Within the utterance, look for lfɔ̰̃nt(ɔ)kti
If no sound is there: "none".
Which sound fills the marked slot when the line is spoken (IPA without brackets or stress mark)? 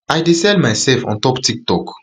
ɔ